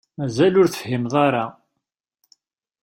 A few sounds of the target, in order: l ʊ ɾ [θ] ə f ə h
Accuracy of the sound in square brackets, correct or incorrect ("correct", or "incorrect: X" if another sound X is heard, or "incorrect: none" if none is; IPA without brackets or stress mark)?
correct